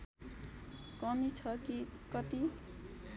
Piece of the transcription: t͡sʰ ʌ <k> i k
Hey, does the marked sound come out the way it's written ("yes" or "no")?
yes